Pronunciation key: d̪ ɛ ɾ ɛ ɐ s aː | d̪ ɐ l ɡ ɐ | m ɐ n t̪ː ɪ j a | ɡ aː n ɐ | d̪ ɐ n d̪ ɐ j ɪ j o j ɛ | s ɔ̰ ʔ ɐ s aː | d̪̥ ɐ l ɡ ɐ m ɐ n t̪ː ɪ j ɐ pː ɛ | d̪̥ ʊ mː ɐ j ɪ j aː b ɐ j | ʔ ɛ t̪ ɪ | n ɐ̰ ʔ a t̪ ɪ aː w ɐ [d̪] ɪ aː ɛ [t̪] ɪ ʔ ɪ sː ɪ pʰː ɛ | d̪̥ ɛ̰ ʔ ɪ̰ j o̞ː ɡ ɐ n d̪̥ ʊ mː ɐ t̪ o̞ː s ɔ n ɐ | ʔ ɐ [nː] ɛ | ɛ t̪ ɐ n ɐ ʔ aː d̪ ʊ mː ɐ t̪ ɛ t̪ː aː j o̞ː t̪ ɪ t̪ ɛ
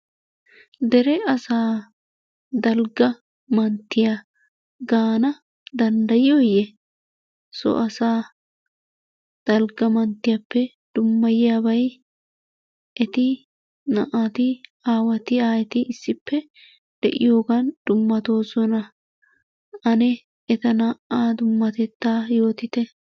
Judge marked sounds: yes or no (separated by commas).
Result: no, yes, no